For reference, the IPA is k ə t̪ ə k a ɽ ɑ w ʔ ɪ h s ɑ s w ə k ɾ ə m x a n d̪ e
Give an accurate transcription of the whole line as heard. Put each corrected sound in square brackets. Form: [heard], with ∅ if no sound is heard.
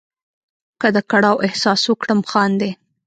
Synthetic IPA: k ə [d̪] ə k a ɽ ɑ w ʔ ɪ h s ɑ s w ə k [ɽ] ə m x [ɑ] n d̪ e